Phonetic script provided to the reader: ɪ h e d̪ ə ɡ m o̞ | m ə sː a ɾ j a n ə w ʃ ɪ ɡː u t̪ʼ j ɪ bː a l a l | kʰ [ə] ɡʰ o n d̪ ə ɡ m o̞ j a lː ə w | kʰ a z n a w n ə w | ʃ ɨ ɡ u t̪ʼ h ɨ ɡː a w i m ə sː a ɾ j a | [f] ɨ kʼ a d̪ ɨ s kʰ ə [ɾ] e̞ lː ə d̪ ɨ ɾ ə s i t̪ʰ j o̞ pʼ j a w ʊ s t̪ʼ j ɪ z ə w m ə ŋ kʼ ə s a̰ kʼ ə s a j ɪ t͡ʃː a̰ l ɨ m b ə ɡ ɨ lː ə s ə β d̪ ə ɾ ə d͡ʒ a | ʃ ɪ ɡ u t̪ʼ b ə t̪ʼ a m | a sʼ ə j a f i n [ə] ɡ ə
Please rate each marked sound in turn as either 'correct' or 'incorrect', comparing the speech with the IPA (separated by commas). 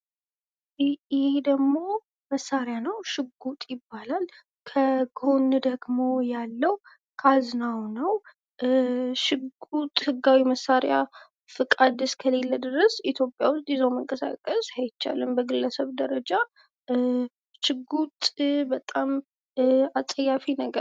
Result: correct, correct, incorrect, correct